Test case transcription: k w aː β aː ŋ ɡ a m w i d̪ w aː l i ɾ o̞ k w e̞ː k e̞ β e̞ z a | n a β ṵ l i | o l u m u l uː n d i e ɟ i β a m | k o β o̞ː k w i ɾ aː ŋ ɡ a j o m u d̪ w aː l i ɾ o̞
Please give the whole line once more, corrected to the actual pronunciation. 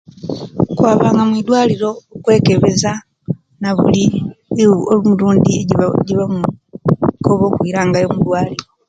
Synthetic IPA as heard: k w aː β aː ŋ ɡ a m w i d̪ w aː l i ɾ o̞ k w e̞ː k e̞ β e̞ z a | n a β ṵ l i | o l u m u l uː n d i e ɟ i β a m | k o β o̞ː k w i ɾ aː ŋ ɡ a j o m u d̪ w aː l i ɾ o̞